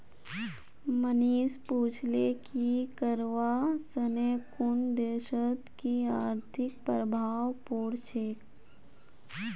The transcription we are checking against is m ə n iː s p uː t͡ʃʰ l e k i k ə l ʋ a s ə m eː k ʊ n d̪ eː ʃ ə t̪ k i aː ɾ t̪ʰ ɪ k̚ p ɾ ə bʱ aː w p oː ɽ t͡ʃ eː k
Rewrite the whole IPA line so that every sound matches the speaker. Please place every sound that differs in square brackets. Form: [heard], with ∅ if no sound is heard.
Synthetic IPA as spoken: m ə n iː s p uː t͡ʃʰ l e k i k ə [ɾ] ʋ a s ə [n] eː k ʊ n d̪ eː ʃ ə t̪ k i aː ɾ t̪ʰ ɪ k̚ p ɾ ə bʱ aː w p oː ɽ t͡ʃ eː k

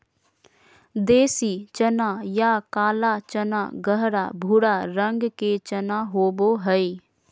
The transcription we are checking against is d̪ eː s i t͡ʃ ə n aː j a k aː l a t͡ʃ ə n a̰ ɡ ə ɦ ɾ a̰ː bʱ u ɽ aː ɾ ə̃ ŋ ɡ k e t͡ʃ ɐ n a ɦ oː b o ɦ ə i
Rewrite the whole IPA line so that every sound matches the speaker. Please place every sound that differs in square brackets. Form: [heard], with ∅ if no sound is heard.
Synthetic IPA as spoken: d̪ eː s i t͡ʃ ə n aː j a k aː l a t͡ʃ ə n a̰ ɡ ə ɦ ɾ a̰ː bʱ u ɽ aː ɾ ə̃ ŋ ɡ k e t͡ʃ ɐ n a ɦ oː b o ɦ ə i

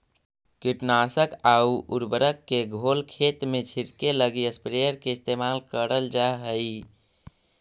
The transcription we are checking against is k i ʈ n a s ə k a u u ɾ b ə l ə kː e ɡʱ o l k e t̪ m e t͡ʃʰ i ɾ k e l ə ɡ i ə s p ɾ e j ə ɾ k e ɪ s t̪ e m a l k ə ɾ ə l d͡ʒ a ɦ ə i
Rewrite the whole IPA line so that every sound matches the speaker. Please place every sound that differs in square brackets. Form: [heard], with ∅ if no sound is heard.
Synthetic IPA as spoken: k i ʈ n a s ə k a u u ɾ b ə [ɾ] ə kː e ɡʱ o l [kʰ] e t̪ m e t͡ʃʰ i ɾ k e l ə ɡ i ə s p ɾ e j ə ɾ k e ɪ s t̪ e m a l k ə ɾ ə l d͡ʒ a ɦ ə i

